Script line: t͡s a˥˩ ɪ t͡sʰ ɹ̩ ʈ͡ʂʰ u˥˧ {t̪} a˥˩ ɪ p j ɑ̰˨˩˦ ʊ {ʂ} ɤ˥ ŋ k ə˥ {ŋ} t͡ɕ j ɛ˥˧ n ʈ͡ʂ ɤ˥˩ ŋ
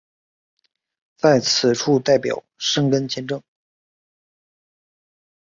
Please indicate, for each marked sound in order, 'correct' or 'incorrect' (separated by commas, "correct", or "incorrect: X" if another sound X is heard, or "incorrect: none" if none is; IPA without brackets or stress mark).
correct, correct, incorrect: n